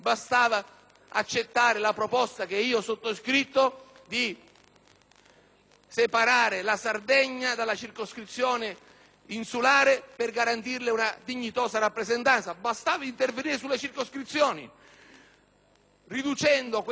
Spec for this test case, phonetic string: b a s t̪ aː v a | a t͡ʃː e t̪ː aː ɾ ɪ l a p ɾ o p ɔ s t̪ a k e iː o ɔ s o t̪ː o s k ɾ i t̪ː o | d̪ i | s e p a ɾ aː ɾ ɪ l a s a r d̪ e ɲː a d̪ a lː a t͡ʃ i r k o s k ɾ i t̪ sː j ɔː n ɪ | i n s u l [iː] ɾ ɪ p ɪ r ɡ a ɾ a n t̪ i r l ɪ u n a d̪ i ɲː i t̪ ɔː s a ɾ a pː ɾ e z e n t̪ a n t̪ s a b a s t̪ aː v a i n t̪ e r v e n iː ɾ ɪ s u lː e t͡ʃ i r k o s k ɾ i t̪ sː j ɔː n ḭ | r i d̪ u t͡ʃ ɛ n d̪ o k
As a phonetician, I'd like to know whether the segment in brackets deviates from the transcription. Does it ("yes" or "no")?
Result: yes